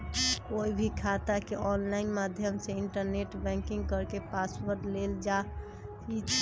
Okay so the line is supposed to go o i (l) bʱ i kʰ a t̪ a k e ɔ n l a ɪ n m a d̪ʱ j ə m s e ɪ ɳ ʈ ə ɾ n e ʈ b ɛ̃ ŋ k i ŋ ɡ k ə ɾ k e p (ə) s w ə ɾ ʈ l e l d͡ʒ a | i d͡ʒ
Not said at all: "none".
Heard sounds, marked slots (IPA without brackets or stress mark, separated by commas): none, a